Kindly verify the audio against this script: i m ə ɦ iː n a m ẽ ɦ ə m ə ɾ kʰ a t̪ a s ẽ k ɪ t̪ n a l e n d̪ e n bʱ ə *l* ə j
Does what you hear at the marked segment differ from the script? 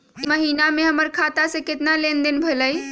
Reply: no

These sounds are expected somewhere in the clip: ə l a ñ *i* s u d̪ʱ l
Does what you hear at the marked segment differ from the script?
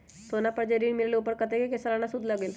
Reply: yes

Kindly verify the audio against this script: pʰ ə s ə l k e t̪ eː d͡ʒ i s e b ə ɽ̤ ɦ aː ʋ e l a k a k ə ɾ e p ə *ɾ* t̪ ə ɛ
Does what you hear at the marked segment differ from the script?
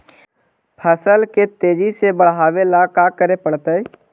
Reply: yes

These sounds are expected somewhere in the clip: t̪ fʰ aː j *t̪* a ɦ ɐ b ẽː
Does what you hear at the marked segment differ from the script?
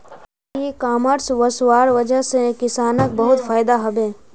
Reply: yes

